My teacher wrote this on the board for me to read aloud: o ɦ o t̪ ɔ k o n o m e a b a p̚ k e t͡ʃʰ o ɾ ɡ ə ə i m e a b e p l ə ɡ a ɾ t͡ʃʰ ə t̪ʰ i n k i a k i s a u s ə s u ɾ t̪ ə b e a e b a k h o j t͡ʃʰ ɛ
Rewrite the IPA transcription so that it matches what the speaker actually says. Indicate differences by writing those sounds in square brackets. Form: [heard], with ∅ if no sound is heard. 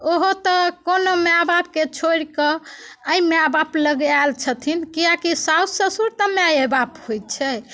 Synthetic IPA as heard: o ɦ o t̪ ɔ k o n o m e a b a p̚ k e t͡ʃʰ o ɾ [k] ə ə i m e a b [a] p l ə ɡ a [l] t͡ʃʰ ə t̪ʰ i n k i a k i s a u s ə s u ɾ t̪ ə [m] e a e b a [p] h o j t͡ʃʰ ɛ